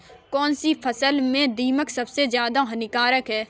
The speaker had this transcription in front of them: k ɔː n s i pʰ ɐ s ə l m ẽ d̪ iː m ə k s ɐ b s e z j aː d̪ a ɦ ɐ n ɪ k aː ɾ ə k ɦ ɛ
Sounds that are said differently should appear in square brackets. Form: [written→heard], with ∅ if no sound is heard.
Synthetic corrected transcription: k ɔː n s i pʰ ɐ s ə l m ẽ d̪ iː m ə k s ɐ b s e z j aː d̪ a ɦ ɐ n ɪ k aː ɾ ə k ɦ [ɛ→ɛː]